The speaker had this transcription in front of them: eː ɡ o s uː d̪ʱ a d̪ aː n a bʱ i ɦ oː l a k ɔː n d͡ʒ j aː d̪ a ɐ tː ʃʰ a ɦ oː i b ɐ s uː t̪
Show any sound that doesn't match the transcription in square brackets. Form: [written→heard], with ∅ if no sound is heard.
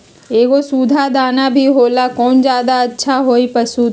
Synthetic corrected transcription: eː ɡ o s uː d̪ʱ a d̪ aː n a bʱ i ɦ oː l a k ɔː n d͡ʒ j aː d̪ a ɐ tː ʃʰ a ɦ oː i [b→p] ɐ s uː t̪